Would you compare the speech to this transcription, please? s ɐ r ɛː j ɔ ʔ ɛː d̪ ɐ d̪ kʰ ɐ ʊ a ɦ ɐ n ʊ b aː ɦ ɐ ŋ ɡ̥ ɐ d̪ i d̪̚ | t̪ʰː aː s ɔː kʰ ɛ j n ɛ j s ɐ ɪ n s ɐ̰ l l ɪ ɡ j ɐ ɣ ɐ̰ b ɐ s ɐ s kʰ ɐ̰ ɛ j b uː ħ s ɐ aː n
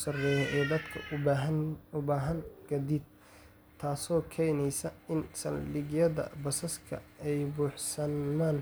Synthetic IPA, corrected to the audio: s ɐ r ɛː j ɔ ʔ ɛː d̪ ɐ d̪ kʰ ɐ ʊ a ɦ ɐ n ʊ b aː ɦ ɐ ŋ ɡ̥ ɐ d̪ i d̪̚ | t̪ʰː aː s ɔː kʰ ɛ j n ɛ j s ɐ ɪ n s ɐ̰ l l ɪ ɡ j ɐ ð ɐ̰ b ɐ s ɐ s kʰ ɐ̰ ɛ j b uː ħ s ɐ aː n